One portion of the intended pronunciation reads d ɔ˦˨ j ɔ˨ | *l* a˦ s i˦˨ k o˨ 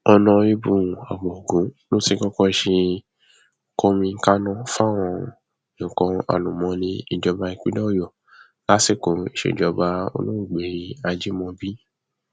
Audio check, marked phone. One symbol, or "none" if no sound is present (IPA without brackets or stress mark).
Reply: l